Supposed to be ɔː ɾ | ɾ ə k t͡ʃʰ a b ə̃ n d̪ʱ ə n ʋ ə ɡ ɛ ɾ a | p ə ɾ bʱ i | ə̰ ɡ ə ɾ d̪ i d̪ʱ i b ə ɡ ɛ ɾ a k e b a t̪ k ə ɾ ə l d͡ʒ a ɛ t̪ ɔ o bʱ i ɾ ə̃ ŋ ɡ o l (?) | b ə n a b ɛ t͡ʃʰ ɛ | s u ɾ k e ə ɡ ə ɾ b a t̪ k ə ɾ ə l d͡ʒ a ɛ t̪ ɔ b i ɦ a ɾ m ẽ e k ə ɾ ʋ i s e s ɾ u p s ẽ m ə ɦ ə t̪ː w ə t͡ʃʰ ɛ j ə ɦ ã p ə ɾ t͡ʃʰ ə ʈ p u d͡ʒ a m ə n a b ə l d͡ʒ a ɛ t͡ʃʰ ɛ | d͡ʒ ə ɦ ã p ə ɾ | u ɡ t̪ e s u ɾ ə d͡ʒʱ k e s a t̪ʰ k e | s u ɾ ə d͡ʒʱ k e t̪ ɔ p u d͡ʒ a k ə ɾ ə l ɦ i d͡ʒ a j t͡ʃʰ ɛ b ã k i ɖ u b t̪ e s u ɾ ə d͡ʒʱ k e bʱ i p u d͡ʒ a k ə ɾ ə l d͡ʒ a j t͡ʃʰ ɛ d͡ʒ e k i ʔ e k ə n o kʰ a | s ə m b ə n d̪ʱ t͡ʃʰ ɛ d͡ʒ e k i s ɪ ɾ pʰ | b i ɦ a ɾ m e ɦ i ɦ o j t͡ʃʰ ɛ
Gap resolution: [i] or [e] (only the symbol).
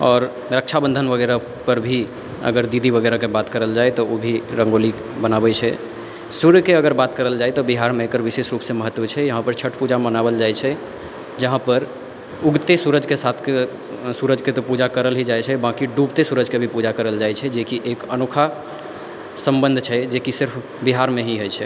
i